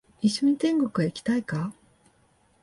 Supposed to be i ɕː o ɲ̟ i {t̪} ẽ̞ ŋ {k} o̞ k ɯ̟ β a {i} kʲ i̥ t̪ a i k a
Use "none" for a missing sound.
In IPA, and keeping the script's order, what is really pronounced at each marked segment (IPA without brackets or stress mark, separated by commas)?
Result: t̪, ɡ, i